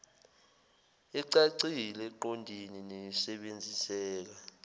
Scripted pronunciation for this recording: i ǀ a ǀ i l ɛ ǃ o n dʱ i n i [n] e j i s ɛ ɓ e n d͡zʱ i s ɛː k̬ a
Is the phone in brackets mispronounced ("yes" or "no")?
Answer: no